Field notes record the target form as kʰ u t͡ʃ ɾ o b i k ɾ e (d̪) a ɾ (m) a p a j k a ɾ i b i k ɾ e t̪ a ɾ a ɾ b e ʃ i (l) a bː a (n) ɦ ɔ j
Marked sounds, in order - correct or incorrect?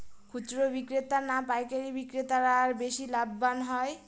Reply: incorrect, incorrect, correct, correct

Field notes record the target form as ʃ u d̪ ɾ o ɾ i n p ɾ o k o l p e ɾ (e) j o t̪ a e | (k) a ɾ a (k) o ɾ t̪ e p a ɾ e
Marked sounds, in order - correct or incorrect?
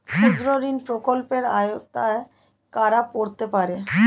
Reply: incorrect, correct, incorrect

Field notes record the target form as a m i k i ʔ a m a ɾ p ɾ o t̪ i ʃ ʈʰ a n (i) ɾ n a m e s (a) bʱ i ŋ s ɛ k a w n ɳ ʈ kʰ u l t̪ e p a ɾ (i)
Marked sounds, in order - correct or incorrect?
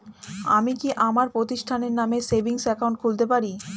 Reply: incorrect, incorrect, correct

